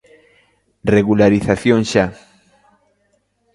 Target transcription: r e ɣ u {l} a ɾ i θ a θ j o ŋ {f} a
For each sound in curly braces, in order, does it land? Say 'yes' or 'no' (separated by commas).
yes, no